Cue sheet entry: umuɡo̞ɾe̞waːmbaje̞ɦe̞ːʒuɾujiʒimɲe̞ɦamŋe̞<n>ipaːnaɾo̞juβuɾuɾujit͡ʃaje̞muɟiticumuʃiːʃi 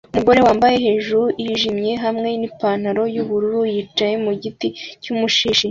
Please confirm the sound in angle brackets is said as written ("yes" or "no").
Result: yes